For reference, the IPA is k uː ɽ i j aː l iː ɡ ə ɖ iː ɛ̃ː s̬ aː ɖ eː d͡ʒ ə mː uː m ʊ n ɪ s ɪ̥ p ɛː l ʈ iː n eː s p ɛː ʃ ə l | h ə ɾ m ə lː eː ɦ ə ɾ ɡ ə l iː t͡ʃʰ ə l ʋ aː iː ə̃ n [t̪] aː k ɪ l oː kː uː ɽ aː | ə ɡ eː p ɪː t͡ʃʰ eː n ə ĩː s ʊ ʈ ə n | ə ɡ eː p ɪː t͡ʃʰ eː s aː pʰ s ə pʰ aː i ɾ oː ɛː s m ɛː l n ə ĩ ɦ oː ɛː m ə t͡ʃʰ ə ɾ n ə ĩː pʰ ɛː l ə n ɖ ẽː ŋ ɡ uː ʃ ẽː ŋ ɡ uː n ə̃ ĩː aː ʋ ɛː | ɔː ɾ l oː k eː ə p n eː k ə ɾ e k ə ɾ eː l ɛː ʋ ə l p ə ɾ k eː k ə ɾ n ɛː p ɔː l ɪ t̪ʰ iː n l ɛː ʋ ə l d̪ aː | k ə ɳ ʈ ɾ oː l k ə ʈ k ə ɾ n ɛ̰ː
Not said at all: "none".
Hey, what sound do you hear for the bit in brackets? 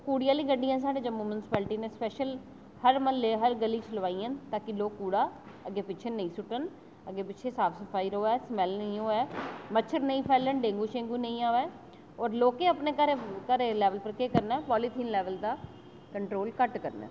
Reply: t̪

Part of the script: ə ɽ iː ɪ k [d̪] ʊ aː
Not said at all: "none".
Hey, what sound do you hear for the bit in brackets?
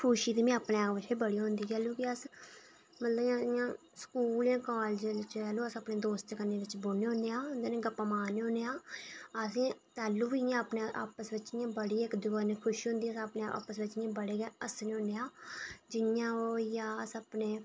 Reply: d̪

